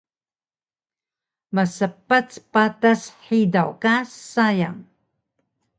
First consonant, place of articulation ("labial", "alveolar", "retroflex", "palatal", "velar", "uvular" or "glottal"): labial